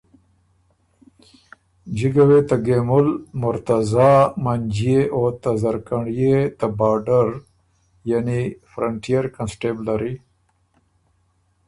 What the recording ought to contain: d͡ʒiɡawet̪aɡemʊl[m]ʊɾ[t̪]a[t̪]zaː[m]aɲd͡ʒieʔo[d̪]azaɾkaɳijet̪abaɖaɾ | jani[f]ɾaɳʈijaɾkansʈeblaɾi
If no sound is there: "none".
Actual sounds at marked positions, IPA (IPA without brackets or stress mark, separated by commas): m, t̪, none, m, t̪, f